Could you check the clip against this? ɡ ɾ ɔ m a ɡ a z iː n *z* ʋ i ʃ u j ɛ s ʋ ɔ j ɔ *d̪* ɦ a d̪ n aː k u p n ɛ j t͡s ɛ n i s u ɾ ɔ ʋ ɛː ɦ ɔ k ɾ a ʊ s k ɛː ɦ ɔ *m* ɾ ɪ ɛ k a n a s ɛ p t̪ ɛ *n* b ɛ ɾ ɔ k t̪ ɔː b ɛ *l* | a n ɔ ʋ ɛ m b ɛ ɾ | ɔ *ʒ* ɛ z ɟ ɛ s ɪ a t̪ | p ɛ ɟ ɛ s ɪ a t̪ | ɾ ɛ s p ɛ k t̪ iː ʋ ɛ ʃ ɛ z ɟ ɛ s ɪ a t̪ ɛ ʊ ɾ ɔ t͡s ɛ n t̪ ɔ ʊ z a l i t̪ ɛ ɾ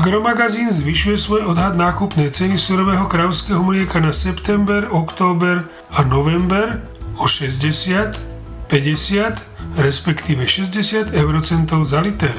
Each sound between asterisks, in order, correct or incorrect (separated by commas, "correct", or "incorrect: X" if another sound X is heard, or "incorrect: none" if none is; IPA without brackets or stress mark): correct, correct, correct, incorrect: m, incorrect: ɾ, incorrect: ʃ